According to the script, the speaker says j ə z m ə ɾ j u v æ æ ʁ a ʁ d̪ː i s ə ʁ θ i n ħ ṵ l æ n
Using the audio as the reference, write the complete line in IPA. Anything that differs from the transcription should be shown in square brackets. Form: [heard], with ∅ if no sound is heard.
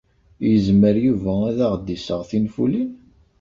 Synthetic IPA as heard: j ə z m ə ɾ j u v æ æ [ð] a ʁ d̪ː i s ə ʁ θ i n [f] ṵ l [i] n